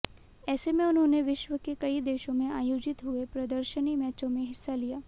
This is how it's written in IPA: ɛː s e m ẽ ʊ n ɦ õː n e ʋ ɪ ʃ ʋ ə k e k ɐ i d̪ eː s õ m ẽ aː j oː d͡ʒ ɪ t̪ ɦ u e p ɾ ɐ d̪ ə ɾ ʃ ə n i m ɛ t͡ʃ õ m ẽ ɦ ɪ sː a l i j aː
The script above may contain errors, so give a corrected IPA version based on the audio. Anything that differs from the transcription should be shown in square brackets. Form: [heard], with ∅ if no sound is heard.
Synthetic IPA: ɛː s e m ẽ ʊ n ɦ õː n e ʋ ɪ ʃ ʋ ə k e k ɐ i d̪ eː [ʃ] õ m ẽ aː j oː d͡ʒ ɪ t̪ ɦ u e p ɾ ɐ d̪ ə ɾ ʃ ə n i m [ɛː] t͡ʃ õ m ẽ ɦ ɪ sː a l i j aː